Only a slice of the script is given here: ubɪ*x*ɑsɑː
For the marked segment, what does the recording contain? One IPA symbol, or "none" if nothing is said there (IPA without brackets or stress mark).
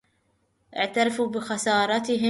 x